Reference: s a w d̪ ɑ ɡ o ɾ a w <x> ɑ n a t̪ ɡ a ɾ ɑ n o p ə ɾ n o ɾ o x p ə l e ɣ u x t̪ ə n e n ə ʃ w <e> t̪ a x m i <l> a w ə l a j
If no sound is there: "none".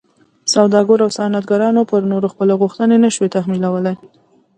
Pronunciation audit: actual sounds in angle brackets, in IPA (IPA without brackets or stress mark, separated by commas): s, e, l